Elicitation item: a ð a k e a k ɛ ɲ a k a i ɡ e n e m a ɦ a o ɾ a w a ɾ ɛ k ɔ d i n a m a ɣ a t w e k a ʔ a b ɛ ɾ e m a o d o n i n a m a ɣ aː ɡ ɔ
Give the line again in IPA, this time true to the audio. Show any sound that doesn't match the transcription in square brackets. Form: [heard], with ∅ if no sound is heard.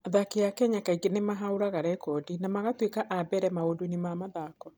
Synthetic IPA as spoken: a ð a k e a k ɛ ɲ a k a i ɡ e n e m a ɦ a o ɾ a [ɣ] a ɾ ɛ k ɔ d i n a m a ɣ a t w e k a ʔ a b ɛ ɾ [ɛ] m a o d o n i [m] a m a [ð] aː [k] ɔ